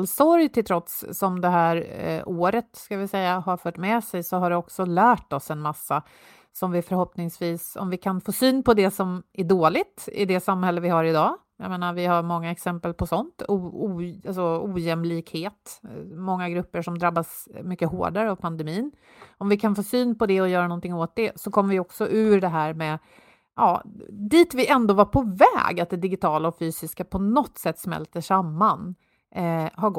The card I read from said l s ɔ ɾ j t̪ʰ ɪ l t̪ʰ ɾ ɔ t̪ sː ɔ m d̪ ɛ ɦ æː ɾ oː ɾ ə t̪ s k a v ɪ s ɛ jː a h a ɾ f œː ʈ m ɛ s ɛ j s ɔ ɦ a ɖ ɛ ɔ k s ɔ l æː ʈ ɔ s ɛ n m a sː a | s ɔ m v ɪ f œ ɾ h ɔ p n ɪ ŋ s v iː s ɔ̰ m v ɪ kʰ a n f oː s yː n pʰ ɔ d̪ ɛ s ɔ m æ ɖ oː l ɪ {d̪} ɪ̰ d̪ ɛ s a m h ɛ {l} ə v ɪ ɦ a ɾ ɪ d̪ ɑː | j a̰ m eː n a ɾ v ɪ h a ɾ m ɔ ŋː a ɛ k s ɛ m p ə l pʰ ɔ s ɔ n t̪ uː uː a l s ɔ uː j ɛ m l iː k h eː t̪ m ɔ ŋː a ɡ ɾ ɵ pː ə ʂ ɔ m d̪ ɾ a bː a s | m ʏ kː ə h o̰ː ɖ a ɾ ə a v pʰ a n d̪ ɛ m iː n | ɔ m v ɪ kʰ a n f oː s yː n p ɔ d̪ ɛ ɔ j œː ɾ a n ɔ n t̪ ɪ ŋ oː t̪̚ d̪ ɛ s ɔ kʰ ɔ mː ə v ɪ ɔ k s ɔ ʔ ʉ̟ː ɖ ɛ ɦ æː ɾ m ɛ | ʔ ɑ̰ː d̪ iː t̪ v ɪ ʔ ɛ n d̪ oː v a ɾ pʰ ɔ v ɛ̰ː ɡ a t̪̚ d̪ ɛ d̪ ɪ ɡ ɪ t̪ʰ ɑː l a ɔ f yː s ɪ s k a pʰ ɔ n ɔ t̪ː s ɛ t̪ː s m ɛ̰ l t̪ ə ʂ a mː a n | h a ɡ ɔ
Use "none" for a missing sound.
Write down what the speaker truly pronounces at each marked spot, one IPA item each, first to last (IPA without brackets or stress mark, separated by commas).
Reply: t̪, lː